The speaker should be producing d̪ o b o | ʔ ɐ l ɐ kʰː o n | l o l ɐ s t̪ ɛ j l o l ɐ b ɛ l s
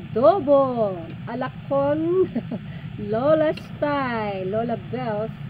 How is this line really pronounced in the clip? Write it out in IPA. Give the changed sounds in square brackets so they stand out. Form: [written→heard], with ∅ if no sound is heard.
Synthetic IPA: d̪ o b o | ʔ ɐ l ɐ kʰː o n | l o l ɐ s t̪ [ɛ→a] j l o l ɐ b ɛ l s

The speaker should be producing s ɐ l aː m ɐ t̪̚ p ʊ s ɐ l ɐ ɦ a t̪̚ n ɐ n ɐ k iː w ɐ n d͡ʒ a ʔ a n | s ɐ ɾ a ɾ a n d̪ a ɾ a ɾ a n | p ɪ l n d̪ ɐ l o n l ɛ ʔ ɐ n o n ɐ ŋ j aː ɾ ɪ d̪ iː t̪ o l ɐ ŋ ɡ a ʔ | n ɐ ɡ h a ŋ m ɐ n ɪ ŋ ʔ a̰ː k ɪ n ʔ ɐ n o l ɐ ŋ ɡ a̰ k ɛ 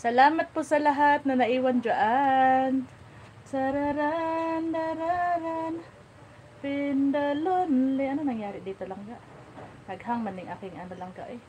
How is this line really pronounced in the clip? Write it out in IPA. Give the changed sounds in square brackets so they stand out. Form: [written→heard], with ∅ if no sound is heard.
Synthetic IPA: s ɐ l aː m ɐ t̪̚ p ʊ s ɐ l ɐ ɦ a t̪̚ n ɐ n ɐ [k→ʔ] iː w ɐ n d͡ʒ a ʔ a n | s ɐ ɾ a ɾ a n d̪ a ɾ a ɾ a n | p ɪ [l→∅] n d̪ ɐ l o n l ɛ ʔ ɐ n o n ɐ ŋ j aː ɾ ɪ d̪ iː t̪ o l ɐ ŋ ɡ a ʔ | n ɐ ɡ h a ŋ m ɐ n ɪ ŋ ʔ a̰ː k ɪ [n→ŋ] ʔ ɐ n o l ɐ ŋ ɡ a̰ [k→ʔ] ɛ

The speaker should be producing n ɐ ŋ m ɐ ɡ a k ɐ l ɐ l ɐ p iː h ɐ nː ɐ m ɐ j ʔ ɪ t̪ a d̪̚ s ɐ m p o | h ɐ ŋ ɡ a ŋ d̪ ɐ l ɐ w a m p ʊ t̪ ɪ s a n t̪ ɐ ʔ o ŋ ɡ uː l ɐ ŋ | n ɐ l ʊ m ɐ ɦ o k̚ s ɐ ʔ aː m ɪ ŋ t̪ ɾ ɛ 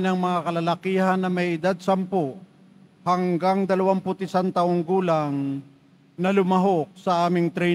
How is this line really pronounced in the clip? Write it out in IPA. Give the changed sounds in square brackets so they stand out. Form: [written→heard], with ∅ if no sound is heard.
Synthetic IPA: n ɐ ŋ m ɐ [ɡ→ŋ] a k ɐ l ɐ l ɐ [p→k] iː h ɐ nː ɐ m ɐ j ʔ ɪ [t̪→d̪] a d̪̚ s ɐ m p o | h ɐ ŋ ɡ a ŋ d̪ ɐ l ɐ w a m p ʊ t̪ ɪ s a n t̪ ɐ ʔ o ŋ ɡ uː l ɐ ŋ | n ɐ l ʊ m ɐ ɦ o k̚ s ɐ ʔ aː m ɪ ŋ t̪ ɾ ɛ

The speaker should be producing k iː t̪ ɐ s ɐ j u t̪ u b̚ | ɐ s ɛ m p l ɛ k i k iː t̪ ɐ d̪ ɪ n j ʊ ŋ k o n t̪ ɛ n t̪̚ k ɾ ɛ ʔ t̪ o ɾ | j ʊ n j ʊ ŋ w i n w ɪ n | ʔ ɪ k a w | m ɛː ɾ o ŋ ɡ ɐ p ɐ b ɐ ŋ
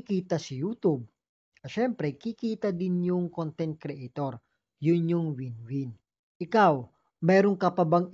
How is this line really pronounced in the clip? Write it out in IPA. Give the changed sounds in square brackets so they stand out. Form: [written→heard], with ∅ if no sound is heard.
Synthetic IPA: k iː t̪ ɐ s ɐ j u t̪ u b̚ | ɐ [s→ʃ] ɛ m p [l→ɾ] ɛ k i k iː t̪ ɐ d̪ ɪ n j ʊ ŋ k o n t̪ ɛ n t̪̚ k ɾ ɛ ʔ t̪ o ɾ | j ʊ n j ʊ ŋ w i n w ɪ n | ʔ ɪ k a w | m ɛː ɾ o ŋ [ɡ→k] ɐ p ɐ b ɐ ŋ

